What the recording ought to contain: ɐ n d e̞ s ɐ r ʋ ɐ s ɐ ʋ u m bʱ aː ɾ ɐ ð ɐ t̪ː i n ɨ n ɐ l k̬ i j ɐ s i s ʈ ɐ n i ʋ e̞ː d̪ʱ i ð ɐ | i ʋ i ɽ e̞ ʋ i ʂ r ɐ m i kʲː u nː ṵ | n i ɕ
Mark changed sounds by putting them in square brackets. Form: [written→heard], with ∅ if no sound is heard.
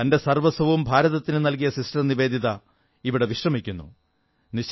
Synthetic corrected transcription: ɐ n d e̞ s ɐ r ʋ ɐ s ɐ ʋ u m bʱ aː ɾ ɐ ð ɐ t̪ː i n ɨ n ɐ l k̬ i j ɐ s i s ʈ ɐ n i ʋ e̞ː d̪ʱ i ð ɐ | i ʋ i ɽ e̞ ʋ i ʂ r ɐ m i kʲː u nː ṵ | n i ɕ